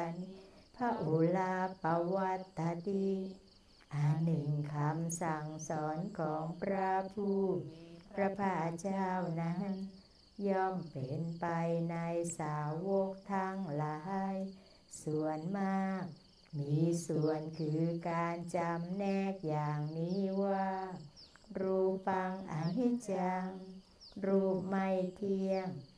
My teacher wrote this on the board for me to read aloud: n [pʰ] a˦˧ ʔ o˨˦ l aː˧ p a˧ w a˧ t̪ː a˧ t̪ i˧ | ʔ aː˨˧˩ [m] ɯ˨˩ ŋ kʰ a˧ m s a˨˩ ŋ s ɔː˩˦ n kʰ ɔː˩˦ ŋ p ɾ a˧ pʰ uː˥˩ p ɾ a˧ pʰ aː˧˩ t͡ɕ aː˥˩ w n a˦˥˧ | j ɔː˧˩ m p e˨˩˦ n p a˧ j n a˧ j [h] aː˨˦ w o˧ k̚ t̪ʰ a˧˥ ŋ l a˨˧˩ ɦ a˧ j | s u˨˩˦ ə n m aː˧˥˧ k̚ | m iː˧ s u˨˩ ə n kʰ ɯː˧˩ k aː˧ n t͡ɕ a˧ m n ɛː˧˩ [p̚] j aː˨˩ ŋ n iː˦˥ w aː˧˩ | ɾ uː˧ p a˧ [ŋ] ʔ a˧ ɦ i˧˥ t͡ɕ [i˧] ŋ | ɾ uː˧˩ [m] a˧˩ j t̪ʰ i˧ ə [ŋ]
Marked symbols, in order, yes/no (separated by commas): yes, no, no, no, yes, no, yes, yes